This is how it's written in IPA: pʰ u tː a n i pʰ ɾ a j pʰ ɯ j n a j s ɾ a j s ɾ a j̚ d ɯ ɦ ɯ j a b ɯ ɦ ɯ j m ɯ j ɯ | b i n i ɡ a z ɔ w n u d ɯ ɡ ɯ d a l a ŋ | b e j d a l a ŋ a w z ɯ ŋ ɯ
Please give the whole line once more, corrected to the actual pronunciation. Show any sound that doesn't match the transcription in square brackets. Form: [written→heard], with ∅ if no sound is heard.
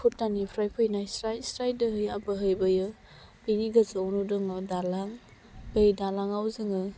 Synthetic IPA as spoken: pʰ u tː a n i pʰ ɾ a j pʰ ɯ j n a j s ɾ a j s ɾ a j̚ d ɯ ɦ ɯ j a b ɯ ɦ ɯ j [m→b] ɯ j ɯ | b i n i ɡ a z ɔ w n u d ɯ [ɡ→ŋ] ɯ d a l a ŋ | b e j d a l a ŋ a w z ɯ ŋ ɯ

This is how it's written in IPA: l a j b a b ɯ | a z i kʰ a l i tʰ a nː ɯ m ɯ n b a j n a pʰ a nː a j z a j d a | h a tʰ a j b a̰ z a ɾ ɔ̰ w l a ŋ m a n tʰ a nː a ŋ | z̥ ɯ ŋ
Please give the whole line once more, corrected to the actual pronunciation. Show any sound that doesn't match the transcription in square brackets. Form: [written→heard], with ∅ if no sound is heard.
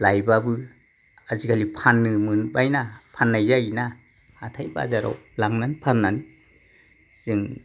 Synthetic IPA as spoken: l a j b a b ɯ | a z i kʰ a l i [tʰ→pʰ] a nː ɯ m ɯ n b a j n a pʰ a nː a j z a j [d→n] a | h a tʰ a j b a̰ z a ɾ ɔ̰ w l a ŋ [m→n] a n [tʰ→pʰ] a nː a [ŋ→n] | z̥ ɯ ŋ

